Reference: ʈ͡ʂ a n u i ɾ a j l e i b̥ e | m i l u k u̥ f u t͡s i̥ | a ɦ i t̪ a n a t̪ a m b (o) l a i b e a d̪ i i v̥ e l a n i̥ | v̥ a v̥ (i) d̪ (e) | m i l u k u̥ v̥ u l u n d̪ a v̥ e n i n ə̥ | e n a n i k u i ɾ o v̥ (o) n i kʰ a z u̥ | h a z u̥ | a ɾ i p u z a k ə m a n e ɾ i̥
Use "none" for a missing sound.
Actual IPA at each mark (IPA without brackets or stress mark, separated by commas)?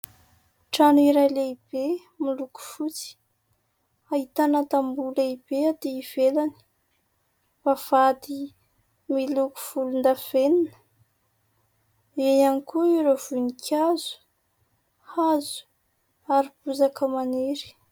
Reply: u, a, i, u